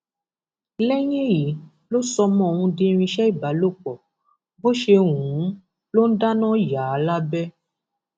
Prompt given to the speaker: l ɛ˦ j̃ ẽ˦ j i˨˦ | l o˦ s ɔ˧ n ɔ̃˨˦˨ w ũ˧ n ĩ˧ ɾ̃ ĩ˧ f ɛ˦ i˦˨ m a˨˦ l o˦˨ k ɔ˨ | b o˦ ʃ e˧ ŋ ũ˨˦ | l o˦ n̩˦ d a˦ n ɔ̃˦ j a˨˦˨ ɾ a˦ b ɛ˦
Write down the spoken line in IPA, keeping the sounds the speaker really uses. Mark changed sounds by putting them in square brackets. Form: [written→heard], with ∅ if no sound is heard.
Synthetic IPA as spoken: l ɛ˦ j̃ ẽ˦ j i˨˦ | l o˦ s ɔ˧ [n→m] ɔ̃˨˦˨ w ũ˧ [n→d] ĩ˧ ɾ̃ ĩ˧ [f→ʃ] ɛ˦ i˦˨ [m→b] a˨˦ l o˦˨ [k→k͡p] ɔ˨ | b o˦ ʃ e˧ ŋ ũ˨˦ | l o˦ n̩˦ d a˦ n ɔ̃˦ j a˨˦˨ [ɾ→l] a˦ b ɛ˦

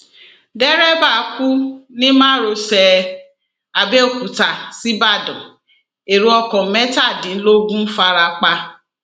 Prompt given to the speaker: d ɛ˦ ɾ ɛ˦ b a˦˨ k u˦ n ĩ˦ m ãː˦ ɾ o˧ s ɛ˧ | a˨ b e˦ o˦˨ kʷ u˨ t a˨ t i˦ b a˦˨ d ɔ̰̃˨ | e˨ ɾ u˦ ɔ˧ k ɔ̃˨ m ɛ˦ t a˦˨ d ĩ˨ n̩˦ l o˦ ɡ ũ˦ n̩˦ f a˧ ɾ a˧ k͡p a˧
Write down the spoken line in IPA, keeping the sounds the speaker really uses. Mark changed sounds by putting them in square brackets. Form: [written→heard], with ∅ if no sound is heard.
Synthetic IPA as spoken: d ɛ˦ ɾ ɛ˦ b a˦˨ k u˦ n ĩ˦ m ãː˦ ɾ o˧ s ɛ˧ | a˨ b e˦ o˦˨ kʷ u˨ t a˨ [t→s] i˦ b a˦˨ d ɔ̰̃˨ | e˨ ɾ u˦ ɔ˧ k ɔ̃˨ m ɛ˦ t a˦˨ d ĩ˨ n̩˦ l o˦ ɡ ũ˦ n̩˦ f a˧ ɾ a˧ k͡p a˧

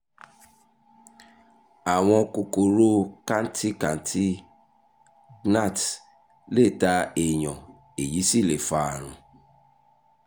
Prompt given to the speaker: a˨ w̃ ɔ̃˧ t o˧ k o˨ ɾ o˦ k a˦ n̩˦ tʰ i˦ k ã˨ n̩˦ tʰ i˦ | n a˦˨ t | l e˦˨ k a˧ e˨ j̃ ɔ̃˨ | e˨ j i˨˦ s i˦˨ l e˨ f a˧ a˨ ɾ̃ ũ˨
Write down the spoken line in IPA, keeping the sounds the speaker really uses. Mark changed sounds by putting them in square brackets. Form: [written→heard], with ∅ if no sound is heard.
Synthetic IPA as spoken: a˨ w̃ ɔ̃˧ [t→k] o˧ k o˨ ɾ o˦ k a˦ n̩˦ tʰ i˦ k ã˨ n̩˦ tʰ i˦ | n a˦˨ t | l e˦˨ [k→t] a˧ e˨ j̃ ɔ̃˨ | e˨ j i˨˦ s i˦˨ l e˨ f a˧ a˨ ɾ̃ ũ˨

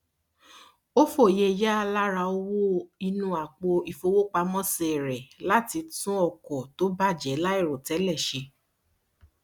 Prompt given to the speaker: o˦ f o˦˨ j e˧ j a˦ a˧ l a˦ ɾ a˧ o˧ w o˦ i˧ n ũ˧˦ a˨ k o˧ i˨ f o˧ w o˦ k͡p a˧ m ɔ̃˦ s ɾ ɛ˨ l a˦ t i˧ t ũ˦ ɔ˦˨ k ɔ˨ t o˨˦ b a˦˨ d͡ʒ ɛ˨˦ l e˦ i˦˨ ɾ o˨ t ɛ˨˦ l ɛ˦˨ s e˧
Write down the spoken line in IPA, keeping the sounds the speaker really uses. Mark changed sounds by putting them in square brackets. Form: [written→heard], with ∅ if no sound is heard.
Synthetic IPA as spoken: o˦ f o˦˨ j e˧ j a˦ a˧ l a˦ ɾ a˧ o˧ w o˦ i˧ n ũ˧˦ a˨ [k→k͡p] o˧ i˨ f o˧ w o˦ k͡p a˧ m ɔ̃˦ s ɾ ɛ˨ l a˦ t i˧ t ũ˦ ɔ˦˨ k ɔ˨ t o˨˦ b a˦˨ d͡ʒ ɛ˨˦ l [e˦→a˦] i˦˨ ɾ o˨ t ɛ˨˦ l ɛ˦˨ [s→ʃ] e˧

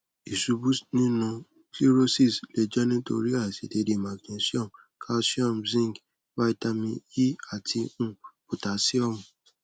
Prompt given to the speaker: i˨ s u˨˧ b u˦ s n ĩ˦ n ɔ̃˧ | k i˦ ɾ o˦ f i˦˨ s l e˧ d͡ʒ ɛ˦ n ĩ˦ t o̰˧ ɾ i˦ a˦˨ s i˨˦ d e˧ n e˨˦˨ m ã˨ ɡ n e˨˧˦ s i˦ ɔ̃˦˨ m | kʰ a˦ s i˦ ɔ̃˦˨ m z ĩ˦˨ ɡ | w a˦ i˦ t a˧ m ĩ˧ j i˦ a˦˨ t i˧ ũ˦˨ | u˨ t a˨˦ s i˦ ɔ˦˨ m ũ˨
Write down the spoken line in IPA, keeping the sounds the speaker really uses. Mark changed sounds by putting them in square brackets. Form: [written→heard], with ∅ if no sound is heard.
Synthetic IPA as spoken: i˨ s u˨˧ b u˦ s n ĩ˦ n [ɔ̃˧→ũ˧] | k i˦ ɾ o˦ [f→s] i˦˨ s l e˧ d͡ʒ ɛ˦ n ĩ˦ t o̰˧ ɾ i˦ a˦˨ s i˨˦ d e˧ [n→d] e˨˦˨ m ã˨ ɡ n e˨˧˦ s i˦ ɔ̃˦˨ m | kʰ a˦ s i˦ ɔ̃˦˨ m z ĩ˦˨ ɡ | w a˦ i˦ t a˧ m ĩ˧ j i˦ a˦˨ t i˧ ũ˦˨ | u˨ t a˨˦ s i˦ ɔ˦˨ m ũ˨

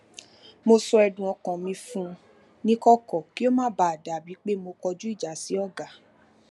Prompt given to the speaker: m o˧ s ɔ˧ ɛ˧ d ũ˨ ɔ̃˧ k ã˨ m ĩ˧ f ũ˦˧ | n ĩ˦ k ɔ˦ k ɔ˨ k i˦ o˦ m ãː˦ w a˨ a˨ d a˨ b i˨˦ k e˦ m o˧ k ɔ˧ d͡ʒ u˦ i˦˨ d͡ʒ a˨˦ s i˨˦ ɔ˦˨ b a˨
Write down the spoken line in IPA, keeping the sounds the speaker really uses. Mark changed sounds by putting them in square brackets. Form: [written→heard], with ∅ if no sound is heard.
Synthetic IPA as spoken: m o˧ s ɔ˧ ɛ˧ d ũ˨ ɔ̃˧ k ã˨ m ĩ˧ f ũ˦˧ | n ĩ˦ k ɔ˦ k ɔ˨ k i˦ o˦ m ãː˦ [w→b] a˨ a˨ d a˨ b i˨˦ [k→k͡p] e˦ m o˧ k ɔ˧ d͡ʒ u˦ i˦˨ d͡ʒ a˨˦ s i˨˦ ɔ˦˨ [b→ɡ] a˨

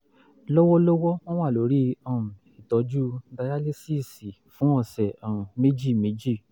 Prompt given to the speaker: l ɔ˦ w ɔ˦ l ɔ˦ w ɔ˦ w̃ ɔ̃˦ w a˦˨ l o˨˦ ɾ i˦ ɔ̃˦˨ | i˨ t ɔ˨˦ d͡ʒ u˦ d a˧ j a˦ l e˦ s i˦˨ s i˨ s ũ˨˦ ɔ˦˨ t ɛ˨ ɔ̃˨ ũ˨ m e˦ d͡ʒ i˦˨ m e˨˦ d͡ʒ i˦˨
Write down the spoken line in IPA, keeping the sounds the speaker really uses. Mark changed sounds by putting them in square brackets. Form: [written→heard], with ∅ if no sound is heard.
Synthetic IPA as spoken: l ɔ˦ w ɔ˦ l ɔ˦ w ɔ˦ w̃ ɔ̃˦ w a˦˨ l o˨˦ ɾ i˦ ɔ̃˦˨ | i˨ t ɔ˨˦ d͡ʒ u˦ d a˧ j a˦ l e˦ s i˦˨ s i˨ [s→f] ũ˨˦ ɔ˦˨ [t→s] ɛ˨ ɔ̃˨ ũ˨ m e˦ d͡ʒ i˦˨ m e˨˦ d͡ʒ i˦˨

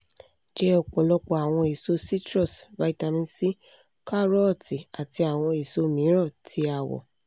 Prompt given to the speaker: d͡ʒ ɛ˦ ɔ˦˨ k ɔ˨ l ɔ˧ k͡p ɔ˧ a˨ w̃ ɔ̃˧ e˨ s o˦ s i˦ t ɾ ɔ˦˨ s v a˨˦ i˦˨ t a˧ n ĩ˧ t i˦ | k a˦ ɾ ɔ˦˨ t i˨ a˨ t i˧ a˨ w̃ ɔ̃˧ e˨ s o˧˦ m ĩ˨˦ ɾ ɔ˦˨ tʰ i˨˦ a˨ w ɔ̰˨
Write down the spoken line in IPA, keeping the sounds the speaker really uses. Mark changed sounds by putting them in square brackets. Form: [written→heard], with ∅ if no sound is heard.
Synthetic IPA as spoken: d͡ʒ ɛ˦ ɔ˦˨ [k→k͡p] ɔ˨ l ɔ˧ k͡p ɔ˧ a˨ w̃ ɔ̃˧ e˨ s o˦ s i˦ t ɾ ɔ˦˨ s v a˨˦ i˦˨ t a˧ [n→m] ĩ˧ [t→s] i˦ | k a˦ ɾ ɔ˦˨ t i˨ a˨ t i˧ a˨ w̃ ɔ̃˧ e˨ s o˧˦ m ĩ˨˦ ɾ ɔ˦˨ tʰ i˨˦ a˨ w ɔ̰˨

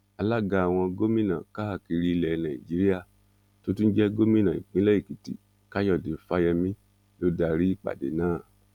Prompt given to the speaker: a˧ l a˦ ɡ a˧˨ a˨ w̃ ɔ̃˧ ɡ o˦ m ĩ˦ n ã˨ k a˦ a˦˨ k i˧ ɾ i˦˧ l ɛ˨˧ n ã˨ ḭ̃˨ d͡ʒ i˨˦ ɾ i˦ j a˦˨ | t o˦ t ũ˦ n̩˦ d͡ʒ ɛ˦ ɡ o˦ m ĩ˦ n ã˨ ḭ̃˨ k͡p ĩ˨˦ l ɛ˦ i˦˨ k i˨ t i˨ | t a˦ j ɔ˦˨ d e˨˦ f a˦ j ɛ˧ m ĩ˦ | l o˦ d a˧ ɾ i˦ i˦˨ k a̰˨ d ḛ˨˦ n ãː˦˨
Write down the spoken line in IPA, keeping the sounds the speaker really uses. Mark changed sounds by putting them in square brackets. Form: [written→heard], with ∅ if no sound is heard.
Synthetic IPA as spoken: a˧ l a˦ ɡ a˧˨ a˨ w̃ ɔ̃˧ ɡ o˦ m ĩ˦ n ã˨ k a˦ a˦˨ k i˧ ɾ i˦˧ l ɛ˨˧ n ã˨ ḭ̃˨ d͡ʒ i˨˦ ɾ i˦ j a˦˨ | t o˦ t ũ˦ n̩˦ d͡ʒ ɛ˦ ɡ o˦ m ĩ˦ n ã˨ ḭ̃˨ k͡p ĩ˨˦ l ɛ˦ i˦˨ k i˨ t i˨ | [t→k] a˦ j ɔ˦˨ d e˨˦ f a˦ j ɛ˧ m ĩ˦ | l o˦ d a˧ ɾ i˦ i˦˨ [k→k͡p] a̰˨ d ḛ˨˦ n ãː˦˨

